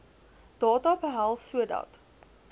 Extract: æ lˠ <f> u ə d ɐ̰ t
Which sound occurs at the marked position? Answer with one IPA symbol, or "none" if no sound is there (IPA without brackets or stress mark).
s